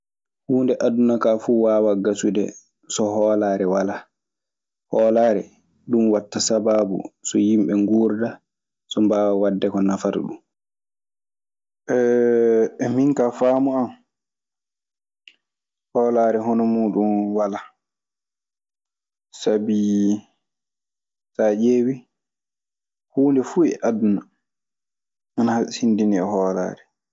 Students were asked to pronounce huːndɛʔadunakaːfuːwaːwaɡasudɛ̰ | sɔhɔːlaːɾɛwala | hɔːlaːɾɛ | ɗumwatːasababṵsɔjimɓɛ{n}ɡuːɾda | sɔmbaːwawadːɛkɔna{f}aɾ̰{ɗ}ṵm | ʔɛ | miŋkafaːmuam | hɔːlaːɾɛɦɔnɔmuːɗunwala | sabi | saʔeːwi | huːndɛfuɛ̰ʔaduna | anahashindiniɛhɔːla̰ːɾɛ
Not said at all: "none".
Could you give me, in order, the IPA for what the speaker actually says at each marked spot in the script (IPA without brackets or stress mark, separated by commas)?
ŋ, f, ɗ